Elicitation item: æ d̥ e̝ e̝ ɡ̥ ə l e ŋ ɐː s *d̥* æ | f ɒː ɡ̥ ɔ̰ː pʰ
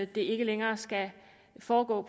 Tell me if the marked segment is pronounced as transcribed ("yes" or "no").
no